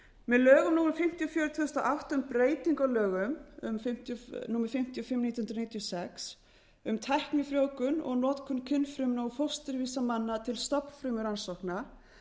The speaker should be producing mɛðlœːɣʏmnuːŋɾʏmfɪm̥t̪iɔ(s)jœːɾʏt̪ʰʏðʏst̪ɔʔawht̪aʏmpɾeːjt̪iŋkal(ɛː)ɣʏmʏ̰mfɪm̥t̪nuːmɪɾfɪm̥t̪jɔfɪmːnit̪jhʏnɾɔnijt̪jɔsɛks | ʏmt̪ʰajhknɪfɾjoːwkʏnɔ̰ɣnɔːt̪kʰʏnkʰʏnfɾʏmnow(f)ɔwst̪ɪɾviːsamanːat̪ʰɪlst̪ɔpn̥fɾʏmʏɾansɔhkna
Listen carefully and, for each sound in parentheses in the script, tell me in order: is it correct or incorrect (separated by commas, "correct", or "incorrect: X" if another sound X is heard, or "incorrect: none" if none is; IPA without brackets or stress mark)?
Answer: incorrect: f, incorrect: œː, correct